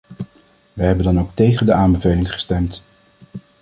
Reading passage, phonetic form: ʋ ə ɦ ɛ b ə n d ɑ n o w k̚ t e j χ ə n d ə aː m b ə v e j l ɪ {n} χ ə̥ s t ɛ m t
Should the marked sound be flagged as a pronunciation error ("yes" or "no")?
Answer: yes